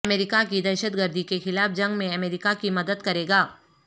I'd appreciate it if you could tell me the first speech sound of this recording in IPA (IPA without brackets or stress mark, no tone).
m